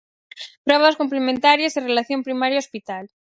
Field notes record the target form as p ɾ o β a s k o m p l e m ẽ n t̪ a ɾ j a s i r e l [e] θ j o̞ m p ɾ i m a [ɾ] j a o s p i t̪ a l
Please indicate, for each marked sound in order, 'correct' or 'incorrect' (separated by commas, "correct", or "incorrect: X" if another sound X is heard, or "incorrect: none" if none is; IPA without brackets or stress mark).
incorrect: a, correct